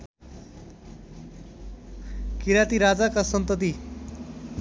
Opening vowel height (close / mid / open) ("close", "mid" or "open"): close